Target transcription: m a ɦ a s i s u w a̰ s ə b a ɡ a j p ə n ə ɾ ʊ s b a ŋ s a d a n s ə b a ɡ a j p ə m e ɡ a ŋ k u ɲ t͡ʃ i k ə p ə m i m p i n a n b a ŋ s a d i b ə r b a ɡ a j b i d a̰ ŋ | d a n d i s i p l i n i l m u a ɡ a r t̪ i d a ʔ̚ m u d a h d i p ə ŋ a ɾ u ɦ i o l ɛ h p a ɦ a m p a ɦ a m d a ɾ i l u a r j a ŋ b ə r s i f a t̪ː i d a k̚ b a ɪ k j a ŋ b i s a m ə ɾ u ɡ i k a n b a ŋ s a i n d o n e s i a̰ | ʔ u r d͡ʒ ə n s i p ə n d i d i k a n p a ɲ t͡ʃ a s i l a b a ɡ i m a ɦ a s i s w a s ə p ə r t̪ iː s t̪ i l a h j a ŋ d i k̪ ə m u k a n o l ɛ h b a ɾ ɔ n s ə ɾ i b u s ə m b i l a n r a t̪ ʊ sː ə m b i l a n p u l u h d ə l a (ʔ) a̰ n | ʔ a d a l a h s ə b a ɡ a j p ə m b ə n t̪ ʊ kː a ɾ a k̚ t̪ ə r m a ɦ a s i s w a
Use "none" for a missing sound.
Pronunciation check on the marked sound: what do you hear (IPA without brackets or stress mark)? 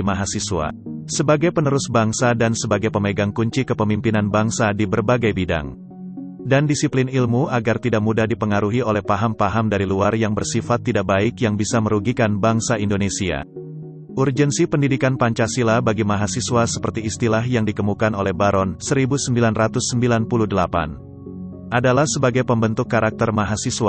p